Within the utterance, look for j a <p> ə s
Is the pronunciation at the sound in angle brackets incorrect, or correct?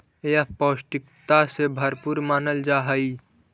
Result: correct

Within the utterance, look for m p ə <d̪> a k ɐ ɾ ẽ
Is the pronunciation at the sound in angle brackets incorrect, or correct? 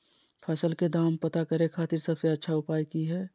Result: incorrect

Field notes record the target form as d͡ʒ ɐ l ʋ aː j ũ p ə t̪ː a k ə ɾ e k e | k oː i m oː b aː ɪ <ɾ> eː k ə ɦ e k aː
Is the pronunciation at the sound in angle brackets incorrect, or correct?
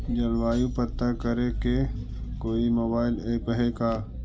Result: incorrect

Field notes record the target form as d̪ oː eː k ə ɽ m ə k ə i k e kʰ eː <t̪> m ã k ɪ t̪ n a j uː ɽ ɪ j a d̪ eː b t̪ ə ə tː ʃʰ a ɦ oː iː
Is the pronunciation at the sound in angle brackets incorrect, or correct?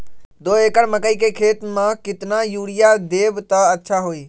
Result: correct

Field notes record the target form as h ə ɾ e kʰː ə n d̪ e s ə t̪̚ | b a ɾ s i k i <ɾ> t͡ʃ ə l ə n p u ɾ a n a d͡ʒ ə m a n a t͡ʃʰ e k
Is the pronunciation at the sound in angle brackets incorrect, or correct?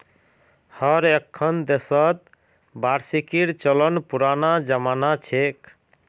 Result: correct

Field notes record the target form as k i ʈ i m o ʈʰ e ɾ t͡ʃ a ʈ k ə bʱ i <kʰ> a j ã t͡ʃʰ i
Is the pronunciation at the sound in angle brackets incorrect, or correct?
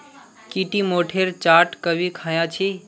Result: correct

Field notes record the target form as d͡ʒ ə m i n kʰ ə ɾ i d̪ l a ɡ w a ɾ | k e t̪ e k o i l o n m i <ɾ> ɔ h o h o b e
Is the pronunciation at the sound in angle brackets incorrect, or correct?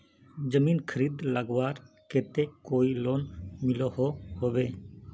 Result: incorrect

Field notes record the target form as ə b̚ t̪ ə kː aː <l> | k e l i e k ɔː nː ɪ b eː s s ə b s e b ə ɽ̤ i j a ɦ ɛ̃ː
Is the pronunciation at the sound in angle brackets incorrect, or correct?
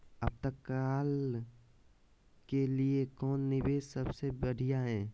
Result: correct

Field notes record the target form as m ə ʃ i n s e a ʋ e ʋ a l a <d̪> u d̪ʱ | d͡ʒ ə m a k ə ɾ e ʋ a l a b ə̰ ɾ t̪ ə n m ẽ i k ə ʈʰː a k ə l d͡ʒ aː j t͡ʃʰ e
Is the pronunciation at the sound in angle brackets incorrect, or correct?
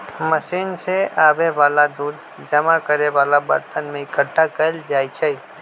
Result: correct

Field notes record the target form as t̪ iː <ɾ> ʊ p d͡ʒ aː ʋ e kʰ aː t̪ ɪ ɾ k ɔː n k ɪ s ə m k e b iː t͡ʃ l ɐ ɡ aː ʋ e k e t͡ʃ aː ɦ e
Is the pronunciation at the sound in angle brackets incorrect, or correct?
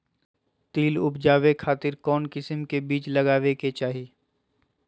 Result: incorrect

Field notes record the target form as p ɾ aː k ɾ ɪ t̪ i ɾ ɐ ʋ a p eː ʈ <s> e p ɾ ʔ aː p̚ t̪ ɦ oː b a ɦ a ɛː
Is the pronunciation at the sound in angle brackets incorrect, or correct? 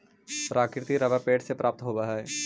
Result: correct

